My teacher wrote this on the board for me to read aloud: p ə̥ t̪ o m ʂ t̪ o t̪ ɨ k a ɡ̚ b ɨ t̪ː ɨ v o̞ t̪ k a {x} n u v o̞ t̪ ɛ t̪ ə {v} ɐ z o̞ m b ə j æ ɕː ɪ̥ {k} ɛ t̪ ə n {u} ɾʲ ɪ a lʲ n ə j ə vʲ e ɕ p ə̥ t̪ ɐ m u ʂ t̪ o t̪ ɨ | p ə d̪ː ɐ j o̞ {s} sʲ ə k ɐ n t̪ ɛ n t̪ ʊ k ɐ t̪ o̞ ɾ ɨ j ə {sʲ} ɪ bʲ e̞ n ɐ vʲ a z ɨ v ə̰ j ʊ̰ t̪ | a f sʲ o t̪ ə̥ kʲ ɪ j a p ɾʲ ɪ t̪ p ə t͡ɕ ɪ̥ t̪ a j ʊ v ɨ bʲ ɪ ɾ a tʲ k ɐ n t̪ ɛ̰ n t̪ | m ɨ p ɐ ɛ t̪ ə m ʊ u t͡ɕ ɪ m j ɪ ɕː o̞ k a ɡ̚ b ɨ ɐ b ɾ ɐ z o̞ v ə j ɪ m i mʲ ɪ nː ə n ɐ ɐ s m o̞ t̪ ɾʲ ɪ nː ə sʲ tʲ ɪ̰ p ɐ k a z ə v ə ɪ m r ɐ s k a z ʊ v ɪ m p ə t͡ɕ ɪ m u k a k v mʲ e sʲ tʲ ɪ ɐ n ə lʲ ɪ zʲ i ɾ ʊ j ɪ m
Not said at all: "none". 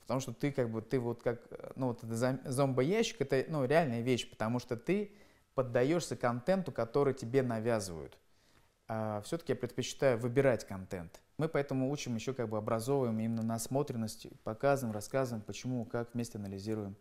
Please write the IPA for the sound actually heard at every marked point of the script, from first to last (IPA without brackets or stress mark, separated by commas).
k, z, k, u, ʂ, tʲ